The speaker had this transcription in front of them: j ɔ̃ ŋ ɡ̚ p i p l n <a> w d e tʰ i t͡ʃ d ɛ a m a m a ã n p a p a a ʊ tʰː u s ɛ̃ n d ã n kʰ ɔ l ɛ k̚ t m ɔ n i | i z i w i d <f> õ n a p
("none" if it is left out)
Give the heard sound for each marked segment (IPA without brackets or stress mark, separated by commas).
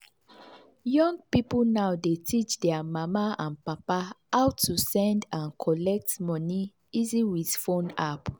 a, f